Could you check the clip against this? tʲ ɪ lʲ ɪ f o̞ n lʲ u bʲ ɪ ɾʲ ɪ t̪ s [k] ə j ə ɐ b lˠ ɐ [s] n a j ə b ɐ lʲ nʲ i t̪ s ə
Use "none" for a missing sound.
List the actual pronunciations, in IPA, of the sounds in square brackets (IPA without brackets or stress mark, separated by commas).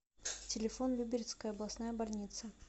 k, s